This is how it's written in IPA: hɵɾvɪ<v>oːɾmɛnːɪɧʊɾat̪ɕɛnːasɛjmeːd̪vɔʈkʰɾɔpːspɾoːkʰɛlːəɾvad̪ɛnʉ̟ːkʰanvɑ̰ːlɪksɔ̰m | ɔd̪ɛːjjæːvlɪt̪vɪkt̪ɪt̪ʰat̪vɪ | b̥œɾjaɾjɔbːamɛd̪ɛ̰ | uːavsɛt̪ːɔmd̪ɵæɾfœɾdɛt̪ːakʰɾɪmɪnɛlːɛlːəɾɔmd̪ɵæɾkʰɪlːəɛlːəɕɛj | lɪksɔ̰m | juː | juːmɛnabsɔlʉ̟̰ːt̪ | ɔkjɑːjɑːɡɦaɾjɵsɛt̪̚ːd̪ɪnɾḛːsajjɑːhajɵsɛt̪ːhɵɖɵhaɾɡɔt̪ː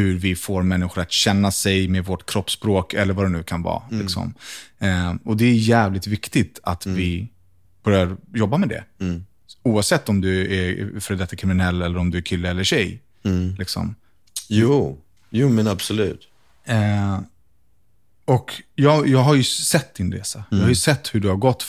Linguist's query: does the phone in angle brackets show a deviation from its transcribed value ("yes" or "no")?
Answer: yes